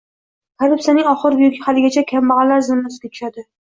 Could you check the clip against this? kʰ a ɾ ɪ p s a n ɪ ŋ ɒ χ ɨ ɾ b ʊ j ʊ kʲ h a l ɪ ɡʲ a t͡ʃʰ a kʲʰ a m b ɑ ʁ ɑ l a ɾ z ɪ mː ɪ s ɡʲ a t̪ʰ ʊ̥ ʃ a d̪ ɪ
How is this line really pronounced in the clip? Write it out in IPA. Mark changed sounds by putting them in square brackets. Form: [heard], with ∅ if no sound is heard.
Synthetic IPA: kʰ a ɾ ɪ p s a n ɪ ŋ ɒ χ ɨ ɾ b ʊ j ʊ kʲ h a l ɪ ɡʲ a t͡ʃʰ a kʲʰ a m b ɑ ʁ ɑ l a ɾ z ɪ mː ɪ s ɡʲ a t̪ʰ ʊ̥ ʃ a d̪ ɪ